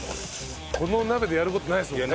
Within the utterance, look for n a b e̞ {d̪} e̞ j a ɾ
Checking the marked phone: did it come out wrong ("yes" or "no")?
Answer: no